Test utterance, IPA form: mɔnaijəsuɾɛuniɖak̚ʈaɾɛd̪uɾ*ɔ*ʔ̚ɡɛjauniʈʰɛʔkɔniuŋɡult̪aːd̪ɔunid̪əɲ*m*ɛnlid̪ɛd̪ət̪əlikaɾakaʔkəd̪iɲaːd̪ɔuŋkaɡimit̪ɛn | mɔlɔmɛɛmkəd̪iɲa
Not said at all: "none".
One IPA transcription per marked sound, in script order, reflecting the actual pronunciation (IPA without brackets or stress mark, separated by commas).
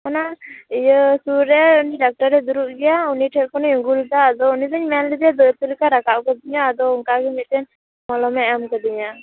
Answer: u, m